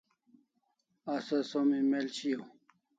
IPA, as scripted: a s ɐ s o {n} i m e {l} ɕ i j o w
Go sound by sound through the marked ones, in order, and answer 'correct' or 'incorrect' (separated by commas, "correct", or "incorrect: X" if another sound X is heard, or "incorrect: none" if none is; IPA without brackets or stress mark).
incorrect: m, correct